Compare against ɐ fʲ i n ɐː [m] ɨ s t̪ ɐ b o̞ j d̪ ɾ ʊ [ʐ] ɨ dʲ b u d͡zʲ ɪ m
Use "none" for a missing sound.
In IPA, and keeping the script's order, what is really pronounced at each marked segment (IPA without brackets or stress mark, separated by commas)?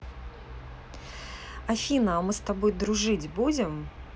m, ʐ